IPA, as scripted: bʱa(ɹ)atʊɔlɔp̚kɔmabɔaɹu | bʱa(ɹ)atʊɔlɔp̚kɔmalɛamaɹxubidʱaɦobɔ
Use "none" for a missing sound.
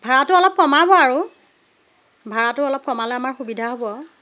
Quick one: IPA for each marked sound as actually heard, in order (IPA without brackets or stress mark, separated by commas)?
ɹ, ɹ